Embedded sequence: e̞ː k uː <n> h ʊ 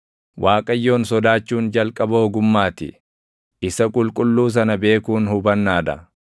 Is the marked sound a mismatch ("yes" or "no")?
no